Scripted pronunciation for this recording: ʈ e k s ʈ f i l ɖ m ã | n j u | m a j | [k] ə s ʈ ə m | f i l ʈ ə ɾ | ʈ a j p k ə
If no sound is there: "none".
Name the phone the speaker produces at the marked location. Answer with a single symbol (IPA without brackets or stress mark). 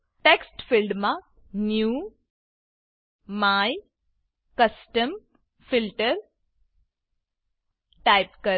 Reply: k